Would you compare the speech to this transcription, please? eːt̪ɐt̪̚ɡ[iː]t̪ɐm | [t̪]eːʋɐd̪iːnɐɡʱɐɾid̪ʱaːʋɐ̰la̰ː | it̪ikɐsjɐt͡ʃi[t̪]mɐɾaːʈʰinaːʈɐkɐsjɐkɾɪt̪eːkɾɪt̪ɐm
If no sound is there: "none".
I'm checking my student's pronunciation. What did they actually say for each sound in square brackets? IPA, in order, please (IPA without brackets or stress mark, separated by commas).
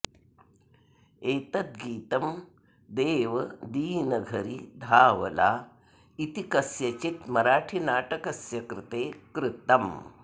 iː, d̪, t̪